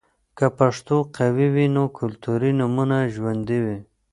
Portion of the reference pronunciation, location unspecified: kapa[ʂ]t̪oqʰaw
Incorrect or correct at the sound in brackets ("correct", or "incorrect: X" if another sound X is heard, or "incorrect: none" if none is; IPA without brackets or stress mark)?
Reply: correct